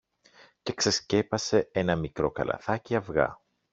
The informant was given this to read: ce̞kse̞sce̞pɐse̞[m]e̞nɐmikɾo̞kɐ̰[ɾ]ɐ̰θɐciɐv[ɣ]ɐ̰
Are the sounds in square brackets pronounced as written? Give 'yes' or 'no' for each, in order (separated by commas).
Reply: no, no, yes